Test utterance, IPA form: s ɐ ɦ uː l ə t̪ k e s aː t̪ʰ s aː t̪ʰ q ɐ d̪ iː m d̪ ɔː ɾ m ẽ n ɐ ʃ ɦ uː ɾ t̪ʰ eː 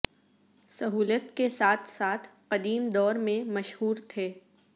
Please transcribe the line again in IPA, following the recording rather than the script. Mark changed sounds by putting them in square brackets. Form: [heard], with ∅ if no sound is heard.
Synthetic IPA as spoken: s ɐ ɦ uː l ə t̪ k e s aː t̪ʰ s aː t̪ʰ q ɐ d̪ iː m d̪ ɔː ɾ m ẽ [m] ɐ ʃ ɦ uː ɾ t̪ʰ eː